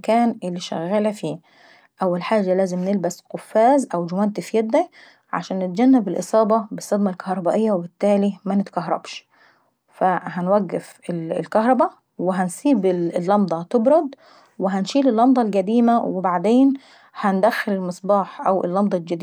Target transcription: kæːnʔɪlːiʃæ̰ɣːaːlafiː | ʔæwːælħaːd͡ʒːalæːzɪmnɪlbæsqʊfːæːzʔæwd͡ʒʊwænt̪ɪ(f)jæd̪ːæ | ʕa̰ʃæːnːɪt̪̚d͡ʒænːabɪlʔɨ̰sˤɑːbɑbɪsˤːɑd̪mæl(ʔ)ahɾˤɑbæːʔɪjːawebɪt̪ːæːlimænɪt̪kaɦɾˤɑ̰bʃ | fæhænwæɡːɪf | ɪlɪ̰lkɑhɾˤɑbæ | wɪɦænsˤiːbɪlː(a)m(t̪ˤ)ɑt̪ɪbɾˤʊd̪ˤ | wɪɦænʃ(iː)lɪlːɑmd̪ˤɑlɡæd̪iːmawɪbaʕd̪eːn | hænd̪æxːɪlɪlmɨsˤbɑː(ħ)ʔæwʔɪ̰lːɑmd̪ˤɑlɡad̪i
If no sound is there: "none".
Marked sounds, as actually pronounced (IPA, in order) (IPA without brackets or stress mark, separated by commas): f, k, ɑ, d̪ˤ, iː, ħ